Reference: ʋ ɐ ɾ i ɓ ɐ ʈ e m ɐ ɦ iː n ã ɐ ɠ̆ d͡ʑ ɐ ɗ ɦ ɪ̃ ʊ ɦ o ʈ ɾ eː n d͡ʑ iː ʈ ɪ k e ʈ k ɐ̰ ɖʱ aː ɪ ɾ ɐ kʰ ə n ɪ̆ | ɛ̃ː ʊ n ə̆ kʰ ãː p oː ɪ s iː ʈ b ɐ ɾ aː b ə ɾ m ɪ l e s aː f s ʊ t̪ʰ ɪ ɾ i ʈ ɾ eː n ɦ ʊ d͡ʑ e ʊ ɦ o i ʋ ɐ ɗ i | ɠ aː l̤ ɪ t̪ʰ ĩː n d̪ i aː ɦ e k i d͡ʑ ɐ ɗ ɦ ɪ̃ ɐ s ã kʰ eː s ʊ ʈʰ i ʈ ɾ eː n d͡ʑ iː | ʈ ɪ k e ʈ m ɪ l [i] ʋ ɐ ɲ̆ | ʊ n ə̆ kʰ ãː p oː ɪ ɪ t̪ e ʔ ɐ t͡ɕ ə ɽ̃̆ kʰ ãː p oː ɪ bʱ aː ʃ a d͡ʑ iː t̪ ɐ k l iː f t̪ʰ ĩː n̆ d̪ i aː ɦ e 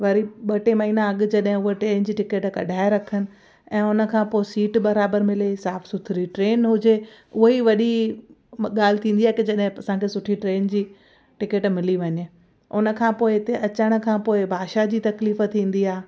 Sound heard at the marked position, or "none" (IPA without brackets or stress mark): i